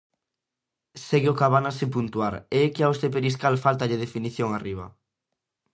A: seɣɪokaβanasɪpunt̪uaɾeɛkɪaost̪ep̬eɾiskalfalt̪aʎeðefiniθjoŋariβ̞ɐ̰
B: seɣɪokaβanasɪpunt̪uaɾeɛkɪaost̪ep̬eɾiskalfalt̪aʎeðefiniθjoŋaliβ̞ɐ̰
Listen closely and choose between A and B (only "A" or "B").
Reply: A